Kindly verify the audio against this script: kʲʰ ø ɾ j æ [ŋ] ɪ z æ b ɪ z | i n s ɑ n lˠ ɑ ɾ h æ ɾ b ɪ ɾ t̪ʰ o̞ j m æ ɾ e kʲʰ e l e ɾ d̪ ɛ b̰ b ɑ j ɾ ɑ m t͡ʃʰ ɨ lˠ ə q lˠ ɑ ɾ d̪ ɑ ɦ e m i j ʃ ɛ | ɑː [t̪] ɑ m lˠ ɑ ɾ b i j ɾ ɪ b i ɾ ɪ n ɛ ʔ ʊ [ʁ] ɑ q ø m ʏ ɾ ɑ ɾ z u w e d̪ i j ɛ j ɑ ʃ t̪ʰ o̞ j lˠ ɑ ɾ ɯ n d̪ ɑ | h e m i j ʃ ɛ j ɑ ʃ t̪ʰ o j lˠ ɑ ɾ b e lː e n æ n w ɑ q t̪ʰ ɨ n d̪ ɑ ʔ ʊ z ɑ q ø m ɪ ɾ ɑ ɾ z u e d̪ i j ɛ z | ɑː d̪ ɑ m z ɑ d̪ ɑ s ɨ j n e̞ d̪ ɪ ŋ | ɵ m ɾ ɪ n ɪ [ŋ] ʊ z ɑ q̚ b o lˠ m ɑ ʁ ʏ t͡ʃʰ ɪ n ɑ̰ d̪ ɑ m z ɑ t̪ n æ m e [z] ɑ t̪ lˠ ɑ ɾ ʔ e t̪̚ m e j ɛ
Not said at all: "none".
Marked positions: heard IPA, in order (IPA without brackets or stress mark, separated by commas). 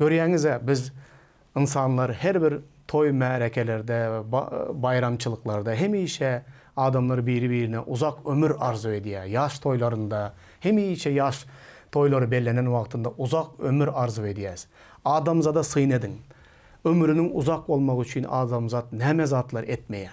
ŋ, d̪, z, ŋ, z